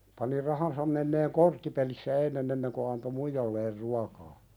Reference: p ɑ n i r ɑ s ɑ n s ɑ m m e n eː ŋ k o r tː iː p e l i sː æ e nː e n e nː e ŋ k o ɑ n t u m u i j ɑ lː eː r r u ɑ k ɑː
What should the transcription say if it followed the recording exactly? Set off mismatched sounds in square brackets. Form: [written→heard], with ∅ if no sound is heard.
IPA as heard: p ɑ n i r ɑ [s→h] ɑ n s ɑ m m e [n→nː] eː ŋ k o r tː [iː→i] p e l i sː æ e nː e n e nː e ŋ k o ɑ n t [u→o] m u i j ɑ lː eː r r u ɑ k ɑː